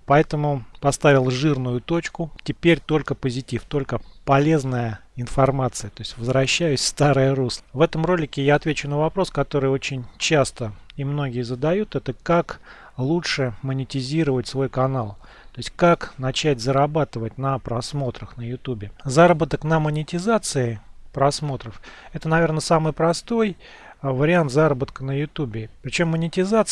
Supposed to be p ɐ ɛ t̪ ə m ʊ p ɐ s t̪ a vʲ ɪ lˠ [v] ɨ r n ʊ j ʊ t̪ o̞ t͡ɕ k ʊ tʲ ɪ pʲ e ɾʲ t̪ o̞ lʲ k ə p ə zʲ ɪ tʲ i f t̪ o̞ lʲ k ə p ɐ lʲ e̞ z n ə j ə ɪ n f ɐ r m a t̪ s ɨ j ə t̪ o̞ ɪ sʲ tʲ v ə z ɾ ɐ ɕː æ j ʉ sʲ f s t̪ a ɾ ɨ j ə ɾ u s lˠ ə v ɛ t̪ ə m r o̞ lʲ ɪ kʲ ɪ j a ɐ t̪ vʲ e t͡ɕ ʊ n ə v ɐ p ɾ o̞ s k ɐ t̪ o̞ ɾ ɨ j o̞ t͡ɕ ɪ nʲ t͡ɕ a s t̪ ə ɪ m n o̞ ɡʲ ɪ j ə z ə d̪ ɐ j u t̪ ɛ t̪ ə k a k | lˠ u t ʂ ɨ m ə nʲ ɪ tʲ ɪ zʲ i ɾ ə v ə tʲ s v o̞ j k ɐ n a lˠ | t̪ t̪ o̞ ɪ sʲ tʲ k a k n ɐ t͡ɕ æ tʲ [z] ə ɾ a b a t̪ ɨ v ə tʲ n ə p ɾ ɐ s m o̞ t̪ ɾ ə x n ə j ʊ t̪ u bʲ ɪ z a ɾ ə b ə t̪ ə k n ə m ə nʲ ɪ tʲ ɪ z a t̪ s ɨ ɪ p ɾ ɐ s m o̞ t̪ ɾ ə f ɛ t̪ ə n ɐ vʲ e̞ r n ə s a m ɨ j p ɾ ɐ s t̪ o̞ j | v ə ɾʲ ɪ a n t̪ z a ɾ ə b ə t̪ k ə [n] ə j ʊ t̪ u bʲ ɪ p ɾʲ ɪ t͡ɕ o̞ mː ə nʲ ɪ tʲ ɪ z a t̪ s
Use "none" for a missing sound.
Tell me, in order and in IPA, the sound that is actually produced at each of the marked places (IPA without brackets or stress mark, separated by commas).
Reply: ʐ, z, n